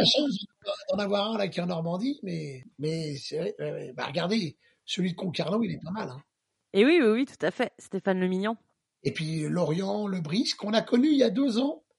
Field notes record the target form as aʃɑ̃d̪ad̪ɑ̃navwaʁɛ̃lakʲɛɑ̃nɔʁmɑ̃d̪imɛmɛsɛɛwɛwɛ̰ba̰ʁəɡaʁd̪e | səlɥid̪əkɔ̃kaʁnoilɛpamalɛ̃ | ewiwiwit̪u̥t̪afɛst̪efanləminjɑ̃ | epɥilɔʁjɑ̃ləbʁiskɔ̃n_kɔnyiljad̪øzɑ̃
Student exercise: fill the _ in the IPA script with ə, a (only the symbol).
a